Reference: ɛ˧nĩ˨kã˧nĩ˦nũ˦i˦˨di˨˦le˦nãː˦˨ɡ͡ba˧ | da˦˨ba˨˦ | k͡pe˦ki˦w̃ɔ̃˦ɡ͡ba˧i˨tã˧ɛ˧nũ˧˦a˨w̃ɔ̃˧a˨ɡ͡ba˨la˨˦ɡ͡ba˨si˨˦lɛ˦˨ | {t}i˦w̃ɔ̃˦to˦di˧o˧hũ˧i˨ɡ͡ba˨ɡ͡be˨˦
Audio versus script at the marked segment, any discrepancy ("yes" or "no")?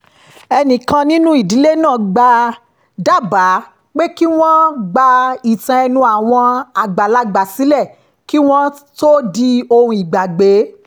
yes